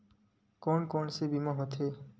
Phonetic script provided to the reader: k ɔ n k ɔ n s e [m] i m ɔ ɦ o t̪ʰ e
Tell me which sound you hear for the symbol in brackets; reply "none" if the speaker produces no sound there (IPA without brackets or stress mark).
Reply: b